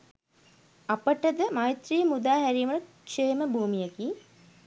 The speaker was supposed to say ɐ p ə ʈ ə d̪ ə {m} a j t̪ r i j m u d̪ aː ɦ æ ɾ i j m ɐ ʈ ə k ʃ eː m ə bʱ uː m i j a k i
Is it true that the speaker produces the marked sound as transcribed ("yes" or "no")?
yes